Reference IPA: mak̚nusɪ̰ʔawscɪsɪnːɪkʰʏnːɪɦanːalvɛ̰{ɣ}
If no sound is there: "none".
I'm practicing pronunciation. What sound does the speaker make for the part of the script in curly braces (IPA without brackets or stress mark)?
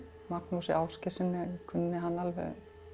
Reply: ɣ